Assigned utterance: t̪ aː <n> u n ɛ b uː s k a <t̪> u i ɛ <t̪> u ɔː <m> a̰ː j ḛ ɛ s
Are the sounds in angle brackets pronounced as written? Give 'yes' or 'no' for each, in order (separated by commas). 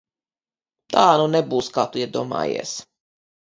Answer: yes, yes, no, yes